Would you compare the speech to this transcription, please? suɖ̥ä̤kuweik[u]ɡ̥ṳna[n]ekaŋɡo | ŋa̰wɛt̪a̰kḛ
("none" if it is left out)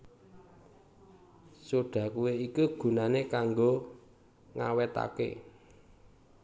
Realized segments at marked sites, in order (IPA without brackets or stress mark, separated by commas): u, n